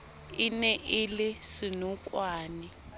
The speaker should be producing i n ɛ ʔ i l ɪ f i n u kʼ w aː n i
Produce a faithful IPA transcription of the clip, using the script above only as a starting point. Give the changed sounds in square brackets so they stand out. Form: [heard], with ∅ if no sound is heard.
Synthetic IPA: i n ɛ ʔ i l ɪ [s] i n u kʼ w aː n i